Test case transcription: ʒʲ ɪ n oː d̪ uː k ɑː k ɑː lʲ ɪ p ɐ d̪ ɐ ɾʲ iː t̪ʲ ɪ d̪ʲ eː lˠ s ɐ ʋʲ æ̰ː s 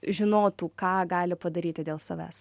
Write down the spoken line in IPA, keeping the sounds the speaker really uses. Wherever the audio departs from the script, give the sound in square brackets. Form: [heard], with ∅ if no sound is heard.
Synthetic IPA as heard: ʒʲ ɪ n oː [t̪] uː k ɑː [ɡ] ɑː lʲ ɪ p ɐ d̪ ɐ ɾʲ iː t̪ʲ ɪ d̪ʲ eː lˠ s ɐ ʋʲ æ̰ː s